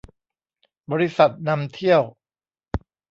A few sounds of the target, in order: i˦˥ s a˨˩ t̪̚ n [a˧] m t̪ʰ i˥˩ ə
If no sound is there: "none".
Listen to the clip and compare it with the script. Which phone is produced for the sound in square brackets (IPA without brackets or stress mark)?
a˧